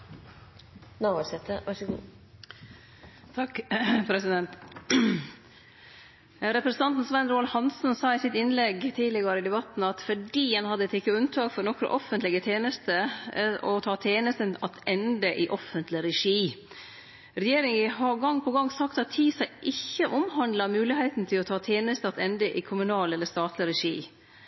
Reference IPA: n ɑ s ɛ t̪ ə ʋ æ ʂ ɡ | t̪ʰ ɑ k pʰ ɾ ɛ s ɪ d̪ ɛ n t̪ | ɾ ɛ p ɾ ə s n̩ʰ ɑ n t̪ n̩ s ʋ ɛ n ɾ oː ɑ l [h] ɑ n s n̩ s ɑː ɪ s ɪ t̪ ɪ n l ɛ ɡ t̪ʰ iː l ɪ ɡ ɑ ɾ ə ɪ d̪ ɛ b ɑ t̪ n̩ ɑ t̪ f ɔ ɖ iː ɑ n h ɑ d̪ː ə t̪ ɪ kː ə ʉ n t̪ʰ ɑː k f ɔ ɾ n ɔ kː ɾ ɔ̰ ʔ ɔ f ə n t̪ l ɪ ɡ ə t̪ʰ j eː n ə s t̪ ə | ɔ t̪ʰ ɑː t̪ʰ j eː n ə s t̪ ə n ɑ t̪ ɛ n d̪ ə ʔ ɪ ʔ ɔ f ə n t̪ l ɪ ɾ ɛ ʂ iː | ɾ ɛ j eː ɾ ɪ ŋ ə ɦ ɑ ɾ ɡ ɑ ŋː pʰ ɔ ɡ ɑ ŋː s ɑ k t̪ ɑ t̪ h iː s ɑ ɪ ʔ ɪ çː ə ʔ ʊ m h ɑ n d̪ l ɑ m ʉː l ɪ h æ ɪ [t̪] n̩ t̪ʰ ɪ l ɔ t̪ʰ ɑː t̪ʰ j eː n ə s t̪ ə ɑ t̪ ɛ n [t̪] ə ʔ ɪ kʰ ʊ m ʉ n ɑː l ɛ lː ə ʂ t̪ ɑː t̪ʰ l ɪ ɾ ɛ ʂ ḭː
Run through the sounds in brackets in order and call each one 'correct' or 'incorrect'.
correct, correct, incorrect

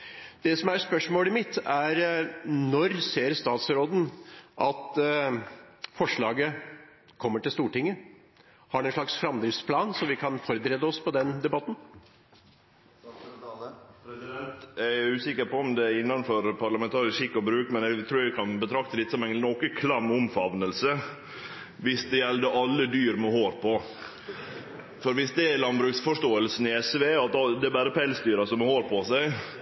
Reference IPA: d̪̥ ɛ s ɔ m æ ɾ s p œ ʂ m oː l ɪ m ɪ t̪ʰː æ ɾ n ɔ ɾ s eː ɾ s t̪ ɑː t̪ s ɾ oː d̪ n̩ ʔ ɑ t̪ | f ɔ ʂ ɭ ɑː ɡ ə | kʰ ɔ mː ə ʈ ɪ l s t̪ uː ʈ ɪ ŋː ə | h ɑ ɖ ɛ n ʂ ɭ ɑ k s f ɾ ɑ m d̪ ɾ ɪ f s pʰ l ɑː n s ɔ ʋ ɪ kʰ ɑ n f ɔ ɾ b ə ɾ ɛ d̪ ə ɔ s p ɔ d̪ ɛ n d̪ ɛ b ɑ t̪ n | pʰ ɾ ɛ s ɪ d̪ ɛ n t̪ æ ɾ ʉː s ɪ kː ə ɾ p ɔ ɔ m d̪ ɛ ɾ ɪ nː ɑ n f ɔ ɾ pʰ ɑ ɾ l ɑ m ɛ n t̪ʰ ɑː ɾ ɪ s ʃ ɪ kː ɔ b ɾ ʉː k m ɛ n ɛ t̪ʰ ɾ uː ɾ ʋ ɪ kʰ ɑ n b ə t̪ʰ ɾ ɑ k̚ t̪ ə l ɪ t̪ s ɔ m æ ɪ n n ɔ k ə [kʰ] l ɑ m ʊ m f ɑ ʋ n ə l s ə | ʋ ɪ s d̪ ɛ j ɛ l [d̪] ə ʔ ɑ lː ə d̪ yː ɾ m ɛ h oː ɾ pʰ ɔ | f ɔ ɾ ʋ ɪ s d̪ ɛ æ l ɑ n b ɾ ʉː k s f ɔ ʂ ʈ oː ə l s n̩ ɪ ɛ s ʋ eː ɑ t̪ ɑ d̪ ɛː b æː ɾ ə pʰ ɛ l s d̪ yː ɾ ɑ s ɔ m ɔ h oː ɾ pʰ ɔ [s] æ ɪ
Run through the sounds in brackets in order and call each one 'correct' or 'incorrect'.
correct, correct, correct

